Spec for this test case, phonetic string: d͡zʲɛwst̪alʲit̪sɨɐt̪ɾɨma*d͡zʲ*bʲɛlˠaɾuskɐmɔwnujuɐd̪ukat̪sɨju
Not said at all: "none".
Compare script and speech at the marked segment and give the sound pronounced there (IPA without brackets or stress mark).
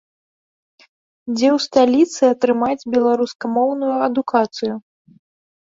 d͡zʲ